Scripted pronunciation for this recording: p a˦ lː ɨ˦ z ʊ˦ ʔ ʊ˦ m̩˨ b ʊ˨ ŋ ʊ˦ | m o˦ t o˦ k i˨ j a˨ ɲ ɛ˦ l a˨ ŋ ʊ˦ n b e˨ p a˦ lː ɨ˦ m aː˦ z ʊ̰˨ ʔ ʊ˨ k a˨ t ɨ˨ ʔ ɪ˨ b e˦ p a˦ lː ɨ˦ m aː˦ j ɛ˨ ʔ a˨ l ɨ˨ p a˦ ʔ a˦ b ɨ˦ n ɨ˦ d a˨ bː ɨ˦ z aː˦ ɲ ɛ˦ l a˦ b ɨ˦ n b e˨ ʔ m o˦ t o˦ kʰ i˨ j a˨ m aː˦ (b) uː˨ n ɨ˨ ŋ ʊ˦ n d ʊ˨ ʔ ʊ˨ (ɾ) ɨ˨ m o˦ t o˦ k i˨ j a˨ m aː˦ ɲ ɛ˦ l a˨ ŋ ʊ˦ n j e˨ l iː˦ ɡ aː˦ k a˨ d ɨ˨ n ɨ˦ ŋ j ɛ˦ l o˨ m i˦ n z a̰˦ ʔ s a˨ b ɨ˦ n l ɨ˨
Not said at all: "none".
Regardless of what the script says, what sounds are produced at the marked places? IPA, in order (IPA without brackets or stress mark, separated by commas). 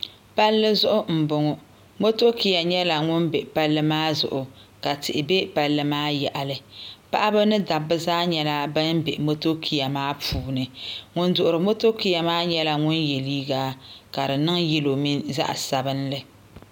p, ɾ